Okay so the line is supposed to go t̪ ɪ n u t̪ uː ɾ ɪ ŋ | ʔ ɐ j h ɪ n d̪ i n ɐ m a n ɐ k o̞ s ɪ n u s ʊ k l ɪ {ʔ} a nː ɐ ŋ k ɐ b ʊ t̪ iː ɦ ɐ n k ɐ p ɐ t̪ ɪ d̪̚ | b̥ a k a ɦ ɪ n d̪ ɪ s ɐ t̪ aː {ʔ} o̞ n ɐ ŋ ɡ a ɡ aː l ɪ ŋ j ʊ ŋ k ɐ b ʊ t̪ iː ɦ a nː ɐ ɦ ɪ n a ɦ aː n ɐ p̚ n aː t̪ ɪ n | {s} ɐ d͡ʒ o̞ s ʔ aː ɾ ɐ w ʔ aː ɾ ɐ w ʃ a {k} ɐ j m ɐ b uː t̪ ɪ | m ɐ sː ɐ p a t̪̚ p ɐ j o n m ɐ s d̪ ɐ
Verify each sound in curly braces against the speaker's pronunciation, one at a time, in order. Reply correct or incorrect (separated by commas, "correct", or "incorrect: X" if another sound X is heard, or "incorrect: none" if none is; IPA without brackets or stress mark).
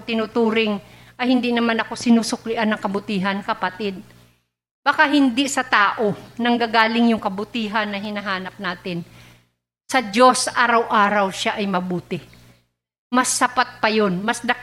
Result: correct, correct, correct, incorrect: ʔ